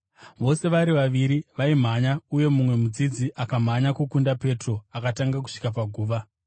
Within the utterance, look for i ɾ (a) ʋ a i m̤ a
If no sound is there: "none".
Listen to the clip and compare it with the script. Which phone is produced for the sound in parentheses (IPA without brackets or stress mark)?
i